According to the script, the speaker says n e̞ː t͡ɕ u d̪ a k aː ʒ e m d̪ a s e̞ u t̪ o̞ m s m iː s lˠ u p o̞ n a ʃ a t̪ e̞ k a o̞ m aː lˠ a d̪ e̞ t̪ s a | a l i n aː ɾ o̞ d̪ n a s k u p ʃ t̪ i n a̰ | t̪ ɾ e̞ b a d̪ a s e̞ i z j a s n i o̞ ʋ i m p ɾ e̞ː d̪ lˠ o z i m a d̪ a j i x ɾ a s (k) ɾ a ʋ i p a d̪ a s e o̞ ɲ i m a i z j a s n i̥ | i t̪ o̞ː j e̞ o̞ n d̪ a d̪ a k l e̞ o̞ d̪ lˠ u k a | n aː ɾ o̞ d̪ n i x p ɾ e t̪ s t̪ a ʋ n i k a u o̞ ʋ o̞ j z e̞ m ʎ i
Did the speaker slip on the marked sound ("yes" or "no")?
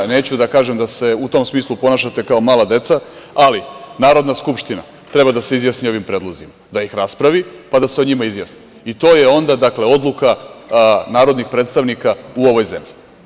yes